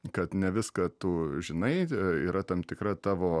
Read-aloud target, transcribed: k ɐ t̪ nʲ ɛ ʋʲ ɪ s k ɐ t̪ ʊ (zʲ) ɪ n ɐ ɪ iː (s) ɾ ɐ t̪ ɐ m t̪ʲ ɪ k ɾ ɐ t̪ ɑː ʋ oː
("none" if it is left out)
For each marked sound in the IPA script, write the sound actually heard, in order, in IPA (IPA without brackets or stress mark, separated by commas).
ʒʲ, none